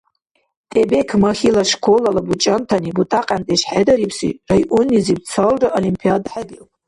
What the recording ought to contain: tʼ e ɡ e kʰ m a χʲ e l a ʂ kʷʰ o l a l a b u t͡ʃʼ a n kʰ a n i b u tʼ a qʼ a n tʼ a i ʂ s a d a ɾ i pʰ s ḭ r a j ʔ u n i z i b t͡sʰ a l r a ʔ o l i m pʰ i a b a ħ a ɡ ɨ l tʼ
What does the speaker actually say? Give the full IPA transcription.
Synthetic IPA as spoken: tʼ e b e kʰ m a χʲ i l a ʂ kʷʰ o l a l a b u t͡ʃʼ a n tʰ a n i b u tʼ a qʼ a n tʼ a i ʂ ħ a d a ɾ i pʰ s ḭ r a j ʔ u n i z i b t͡sʰ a l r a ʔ o l i m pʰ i a d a ħ a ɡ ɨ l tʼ